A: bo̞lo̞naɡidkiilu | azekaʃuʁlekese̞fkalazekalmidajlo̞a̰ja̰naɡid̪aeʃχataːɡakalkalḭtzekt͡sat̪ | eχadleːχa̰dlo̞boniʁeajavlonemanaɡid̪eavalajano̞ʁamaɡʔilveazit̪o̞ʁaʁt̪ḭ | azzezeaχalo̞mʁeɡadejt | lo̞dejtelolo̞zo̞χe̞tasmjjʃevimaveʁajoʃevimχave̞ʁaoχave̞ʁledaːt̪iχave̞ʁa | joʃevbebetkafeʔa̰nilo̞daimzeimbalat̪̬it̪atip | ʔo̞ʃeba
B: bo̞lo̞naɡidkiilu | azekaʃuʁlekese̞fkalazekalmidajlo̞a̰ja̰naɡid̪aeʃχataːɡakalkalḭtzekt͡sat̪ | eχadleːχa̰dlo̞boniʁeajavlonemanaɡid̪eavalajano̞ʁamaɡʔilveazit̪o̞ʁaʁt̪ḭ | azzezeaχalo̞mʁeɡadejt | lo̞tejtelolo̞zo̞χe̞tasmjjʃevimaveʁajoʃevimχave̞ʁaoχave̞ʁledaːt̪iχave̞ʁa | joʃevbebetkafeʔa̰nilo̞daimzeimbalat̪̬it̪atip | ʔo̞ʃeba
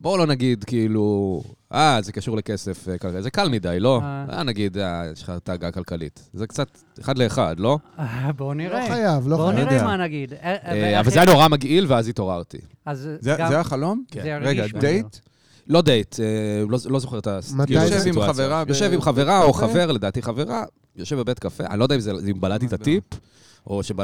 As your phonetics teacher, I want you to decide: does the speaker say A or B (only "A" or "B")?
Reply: A